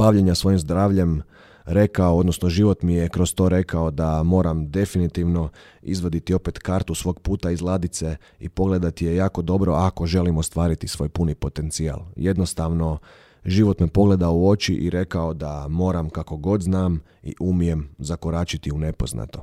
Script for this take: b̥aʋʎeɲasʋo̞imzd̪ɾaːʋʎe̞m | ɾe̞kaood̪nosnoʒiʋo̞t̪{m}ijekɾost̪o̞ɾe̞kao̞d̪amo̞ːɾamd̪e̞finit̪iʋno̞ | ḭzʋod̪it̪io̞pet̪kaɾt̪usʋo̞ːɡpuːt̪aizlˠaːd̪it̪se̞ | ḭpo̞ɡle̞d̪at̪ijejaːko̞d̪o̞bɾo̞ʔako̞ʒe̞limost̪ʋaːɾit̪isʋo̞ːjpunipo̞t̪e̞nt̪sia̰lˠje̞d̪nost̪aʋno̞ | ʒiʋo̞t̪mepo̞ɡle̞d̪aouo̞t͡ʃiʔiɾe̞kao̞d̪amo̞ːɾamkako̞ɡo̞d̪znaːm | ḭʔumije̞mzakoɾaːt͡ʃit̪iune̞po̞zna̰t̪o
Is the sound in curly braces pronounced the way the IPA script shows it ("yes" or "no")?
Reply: yes